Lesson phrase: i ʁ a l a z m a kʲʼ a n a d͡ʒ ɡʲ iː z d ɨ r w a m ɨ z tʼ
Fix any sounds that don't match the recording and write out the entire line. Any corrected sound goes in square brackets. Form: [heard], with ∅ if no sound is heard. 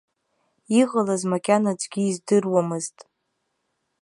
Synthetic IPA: i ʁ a l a z m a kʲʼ a n a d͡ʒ ɡʲ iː z d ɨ r w a m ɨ z tʼ

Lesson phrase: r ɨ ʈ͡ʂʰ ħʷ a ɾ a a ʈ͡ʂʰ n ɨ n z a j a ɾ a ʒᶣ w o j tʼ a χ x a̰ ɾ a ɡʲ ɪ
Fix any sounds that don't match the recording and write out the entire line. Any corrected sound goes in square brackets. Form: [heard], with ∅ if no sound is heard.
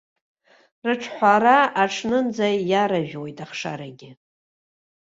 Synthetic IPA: r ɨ ʈ͡ʂʰ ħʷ a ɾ a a ʈ͡ʂʰ n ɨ n [d͡z] a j a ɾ a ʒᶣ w o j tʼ a χ [ʂ] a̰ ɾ a ɡʲ ɪ

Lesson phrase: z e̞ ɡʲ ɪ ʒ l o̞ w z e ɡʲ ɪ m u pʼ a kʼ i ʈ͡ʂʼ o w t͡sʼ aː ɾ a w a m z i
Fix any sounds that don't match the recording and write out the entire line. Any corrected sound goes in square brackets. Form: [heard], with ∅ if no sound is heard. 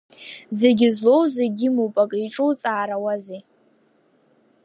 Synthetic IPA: z e̞ ɡʲ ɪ [z] l o̞ w z e ɡʲ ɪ m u pʼ a kʼ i ʈ͡ʂʼ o w t͡sʼ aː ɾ a w a [∅] z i

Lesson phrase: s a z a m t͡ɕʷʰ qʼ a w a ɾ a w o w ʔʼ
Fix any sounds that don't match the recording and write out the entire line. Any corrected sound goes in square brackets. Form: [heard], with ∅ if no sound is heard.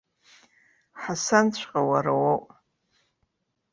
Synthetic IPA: [ħ] a [s] a [n] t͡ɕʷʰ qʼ a w a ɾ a w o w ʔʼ

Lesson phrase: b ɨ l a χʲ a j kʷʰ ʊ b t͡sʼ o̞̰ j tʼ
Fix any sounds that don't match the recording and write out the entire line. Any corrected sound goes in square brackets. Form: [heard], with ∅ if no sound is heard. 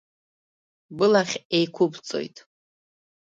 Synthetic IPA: b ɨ l a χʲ [e] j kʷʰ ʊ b t͡sʼ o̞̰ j tʼ

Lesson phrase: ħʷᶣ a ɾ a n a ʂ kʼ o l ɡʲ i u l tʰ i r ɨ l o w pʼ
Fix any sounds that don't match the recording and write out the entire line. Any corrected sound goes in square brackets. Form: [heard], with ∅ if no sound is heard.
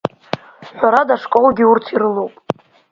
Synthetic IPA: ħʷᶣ a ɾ a [d] a ʂ kʼ o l ɡʲ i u [r] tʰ i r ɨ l o w pʼ

